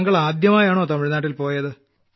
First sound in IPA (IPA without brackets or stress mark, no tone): ŋ